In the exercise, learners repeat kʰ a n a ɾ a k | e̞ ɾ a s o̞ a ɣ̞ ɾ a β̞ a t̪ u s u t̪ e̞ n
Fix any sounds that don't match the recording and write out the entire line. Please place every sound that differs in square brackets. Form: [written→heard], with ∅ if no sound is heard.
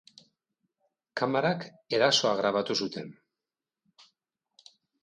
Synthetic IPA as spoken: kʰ a [n→m] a ɾ a k | e̞ ɾ a s o̞ a ɣ̞ ɾ a β̞ a t̪ u s u t̪ e̞ n